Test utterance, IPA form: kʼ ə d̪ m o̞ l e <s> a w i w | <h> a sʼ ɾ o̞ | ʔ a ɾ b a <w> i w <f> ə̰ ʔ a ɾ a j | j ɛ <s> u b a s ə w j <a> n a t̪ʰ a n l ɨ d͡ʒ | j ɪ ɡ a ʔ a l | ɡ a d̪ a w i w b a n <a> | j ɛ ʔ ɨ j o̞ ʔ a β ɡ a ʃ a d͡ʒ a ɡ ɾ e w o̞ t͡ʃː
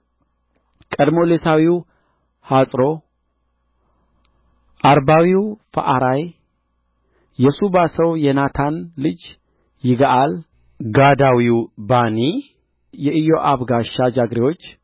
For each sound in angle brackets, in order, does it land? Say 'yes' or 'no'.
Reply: yes, yes, yes, yes, yes, no, no

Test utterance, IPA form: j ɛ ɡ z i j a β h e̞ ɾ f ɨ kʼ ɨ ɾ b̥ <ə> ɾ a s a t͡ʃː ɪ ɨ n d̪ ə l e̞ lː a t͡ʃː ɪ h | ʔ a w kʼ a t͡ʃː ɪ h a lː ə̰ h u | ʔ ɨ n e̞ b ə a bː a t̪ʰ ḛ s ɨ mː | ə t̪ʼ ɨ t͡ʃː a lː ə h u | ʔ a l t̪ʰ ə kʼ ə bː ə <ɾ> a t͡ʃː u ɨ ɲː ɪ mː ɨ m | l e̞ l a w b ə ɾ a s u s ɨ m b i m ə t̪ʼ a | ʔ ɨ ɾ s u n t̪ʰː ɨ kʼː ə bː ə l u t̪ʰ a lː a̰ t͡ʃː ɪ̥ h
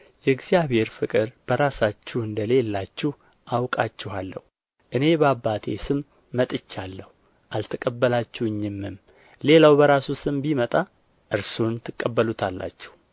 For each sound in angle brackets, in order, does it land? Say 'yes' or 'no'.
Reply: yes, no

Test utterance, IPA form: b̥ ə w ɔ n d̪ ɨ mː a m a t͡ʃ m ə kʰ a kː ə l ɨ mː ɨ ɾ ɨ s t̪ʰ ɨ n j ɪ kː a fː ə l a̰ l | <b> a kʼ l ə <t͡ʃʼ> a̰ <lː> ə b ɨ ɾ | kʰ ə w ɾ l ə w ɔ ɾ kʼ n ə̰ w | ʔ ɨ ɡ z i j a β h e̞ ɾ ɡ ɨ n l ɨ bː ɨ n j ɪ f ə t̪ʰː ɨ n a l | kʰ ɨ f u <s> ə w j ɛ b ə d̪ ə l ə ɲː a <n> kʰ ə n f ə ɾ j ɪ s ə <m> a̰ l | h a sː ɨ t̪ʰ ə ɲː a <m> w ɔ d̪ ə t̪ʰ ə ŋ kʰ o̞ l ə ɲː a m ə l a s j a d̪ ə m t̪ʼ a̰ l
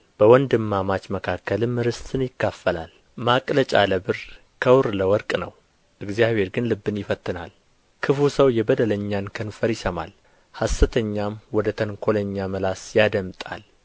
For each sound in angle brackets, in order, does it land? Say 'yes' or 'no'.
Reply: no, yes, no, yes, yes, yes, yes

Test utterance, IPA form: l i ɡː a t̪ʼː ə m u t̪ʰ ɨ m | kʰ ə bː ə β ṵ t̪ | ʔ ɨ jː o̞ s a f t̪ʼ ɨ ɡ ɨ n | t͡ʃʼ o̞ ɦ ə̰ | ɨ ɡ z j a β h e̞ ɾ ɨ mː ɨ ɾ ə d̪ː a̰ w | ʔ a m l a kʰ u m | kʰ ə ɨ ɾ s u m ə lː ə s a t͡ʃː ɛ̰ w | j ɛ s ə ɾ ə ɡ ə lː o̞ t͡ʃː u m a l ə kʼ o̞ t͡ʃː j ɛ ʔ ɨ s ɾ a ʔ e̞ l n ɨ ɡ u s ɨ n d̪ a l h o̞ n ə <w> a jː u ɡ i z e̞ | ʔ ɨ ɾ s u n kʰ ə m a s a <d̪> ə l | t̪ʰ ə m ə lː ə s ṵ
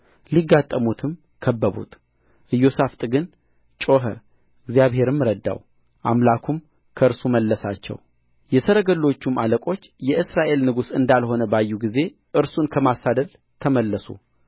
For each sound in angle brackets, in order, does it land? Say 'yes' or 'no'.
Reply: no, yes

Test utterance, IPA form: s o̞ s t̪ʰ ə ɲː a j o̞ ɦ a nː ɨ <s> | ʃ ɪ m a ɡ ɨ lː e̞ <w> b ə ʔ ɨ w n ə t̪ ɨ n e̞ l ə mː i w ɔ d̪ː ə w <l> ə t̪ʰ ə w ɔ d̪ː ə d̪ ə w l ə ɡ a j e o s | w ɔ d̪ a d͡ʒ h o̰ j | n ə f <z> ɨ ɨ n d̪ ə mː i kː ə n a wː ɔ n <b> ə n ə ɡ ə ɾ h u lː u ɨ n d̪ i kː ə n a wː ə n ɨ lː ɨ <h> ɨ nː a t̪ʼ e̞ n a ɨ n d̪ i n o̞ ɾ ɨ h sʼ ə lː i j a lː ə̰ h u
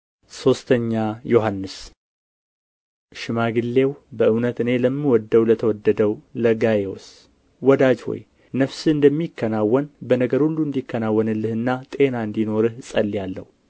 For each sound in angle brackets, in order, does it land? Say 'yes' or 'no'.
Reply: yes, yes, yes, no, yes, yes

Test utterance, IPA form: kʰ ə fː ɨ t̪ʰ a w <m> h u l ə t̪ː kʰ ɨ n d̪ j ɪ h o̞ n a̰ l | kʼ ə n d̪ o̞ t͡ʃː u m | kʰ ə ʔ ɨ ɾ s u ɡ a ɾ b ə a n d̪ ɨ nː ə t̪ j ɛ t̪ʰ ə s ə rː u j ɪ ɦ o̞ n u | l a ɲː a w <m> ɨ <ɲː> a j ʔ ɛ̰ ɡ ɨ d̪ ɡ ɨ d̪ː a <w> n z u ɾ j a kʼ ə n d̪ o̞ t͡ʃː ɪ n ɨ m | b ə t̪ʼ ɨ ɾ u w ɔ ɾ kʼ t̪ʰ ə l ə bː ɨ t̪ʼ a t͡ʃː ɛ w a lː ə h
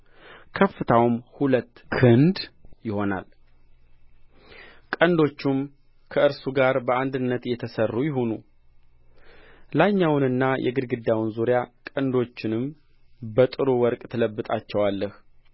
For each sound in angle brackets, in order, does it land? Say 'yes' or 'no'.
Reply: yes, no, no, yes

